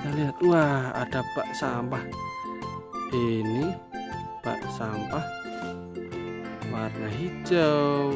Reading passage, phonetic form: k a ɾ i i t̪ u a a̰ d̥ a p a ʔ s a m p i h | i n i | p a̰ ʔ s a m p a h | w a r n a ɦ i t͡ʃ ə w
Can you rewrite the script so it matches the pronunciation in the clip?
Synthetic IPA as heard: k a l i a t̪ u a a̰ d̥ a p a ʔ s a m p a h | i n i | p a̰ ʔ s a m p a h | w a r n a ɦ i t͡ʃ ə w